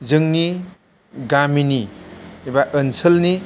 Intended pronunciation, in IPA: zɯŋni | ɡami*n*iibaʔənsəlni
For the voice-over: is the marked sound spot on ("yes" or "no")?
yes